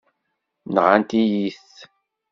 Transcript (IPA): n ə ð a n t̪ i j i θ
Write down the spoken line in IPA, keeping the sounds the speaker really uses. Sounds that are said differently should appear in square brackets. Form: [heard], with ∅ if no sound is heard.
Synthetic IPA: n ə [ʁ] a n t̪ i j i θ